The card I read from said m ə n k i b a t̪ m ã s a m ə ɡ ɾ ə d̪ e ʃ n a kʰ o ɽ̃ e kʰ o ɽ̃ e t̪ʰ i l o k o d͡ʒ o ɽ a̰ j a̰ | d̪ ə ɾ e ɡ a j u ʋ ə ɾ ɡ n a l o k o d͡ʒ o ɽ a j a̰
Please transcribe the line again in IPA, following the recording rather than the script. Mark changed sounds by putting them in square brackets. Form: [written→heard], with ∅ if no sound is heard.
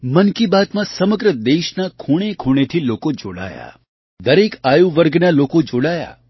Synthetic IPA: m ə n k i b a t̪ m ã s [a→ə] m ə ɡ ɾ ə d̪ e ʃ n a kʰ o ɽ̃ e kʰ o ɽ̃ e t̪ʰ i l o k o d͡ʒ o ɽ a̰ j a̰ | d̪ ə ɾ e [ɡ→k] a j u ʋ ə ɾ ɡ n a l o k o d͡ʒ o ɽ a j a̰